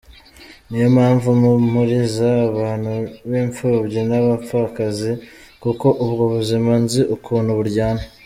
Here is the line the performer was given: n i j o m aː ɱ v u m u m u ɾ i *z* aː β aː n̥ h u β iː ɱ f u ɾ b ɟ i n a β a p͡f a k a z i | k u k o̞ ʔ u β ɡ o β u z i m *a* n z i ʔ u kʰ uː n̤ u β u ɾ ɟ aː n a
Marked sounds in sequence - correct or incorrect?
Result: correct, correct

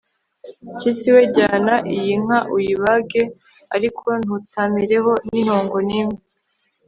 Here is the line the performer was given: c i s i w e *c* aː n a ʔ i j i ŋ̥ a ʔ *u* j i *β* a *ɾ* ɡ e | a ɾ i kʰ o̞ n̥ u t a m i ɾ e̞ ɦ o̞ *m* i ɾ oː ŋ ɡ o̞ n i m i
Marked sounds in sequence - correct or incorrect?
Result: incorrect: ɟ, correct, correct, incorrect: none, incorrect: n

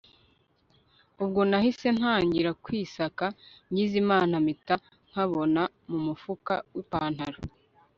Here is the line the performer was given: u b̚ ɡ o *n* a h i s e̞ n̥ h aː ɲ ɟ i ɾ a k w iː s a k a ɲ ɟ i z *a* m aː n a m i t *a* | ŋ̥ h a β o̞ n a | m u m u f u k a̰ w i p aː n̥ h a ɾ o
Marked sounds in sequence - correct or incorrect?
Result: correct, incorrect: i, correct

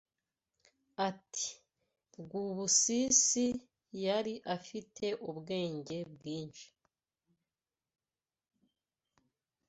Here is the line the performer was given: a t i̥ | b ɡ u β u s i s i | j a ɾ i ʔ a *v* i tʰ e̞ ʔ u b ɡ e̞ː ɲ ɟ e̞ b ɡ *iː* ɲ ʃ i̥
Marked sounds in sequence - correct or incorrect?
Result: incorrect: f, correct

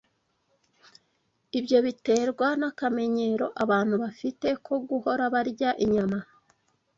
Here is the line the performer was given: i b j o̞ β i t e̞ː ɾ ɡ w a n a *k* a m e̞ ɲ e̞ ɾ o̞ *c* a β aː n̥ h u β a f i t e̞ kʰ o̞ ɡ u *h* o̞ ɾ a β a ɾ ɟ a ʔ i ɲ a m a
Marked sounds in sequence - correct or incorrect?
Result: correct, incorrect: ʔ, correct

